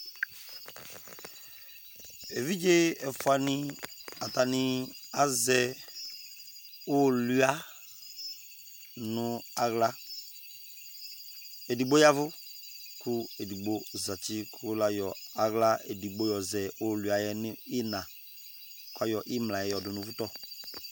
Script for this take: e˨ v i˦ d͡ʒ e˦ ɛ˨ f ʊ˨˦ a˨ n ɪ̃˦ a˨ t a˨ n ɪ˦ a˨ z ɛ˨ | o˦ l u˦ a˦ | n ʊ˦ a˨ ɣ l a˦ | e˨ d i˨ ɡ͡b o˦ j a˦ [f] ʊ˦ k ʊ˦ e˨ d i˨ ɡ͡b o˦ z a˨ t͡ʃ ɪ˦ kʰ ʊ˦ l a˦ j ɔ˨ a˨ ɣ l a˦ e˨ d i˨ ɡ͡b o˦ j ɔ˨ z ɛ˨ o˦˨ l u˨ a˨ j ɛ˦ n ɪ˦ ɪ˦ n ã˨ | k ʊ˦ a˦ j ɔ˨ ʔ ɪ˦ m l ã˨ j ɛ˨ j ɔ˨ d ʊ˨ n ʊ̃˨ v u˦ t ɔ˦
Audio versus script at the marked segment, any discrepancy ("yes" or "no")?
yes